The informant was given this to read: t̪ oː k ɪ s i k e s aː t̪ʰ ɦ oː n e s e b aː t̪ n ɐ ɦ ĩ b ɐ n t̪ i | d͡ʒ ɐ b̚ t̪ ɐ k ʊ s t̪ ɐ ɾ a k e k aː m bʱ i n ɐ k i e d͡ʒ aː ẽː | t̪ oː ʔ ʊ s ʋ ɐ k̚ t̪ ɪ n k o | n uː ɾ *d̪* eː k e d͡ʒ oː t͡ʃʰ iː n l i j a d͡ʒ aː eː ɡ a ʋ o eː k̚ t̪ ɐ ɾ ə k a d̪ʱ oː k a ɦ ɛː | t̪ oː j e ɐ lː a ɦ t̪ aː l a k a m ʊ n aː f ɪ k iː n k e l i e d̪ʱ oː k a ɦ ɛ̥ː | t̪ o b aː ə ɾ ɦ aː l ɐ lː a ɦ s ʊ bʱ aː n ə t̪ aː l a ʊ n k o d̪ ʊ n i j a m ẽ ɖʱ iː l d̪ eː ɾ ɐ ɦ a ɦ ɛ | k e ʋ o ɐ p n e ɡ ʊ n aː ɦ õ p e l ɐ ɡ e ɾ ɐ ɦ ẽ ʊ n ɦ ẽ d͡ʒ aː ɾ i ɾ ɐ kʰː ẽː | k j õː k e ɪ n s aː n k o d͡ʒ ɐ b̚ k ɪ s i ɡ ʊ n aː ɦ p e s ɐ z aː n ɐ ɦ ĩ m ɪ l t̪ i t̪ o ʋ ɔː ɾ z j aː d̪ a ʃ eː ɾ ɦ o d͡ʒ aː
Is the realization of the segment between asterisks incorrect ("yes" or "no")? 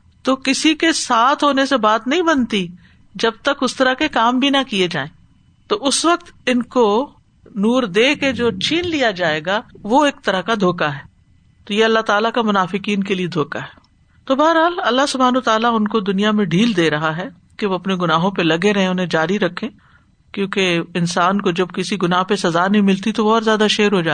no